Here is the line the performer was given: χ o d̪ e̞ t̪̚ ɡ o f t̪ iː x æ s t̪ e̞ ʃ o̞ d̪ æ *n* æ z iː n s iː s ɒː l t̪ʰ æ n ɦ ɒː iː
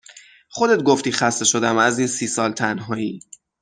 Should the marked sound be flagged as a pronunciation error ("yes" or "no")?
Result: yes